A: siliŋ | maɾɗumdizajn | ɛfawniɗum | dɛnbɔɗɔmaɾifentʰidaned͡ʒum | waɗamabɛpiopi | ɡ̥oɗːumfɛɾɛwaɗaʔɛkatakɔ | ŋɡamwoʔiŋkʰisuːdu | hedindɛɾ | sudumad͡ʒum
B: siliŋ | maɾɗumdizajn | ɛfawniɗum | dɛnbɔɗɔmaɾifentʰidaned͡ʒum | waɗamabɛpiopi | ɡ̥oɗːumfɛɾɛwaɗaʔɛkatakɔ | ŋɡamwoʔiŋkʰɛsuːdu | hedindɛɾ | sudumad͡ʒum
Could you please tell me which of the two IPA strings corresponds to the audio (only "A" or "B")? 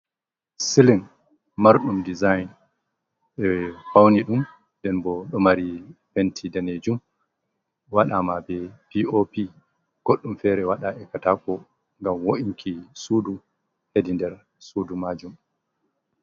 A